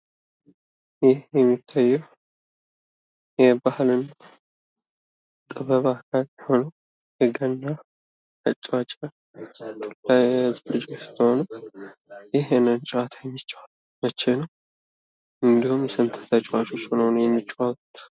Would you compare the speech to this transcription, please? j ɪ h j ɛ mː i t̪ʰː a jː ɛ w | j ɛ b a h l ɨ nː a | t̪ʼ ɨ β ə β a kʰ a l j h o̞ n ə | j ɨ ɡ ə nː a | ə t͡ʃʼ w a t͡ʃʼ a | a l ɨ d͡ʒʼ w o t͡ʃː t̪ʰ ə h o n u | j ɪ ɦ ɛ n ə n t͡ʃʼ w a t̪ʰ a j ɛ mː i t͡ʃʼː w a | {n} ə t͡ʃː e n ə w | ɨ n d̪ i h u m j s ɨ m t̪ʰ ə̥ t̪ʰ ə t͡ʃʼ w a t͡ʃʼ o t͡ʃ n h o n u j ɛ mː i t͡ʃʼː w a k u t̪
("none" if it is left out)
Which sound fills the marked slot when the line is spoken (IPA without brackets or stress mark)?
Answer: m